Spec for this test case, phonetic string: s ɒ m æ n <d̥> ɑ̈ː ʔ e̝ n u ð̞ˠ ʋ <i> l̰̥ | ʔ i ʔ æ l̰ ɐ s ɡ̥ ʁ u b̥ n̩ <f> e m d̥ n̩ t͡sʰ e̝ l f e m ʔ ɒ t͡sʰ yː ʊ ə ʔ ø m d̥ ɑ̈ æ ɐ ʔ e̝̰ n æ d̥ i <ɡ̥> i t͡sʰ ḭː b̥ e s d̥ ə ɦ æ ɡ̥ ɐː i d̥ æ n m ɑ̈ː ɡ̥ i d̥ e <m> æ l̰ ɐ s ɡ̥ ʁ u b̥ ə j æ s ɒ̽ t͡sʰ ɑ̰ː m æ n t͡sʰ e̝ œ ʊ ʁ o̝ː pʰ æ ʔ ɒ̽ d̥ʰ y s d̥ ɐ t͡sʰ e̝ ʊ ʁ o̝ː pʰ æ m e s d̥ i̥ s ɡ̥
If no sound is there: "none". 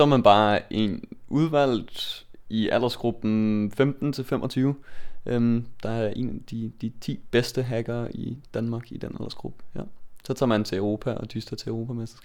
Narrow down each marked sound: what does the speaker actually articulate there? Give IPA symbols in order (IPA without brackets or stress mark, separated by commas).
b̥, æ, f, d̥, n